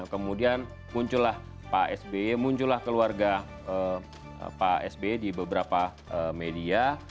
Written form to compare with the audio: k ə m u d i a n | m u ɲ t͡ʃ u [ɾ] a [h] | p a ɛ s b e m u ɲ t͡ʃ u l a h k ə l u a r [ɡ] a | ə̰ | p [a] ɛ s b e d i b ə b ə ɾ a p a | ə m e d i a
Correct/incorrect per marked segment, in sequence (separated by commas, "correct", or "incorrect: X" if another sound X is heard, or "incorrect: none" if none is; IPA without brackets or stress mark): incorrect: l, correct, correct, correct